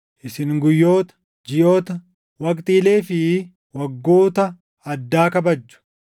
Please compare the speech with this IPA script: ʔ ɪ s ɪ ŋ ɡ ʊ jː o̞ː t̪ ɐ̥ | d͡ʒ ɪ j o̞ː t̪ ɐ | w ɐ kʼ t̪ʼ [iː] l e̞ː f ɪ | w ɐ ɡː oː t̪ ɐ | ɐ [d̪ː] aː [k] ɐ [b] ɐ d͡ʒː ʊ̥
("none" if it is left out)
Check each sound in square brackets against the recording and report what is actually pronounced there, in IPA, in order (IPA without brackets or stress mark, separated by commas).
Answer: iː, d̪ː, k, b